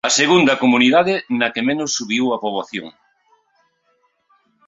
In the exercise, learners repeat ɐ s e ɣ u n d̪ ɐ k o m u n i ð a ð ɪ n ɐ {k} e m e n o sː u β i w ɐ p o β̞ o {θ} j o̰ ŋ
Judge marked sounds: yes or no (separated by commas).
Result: yes, yes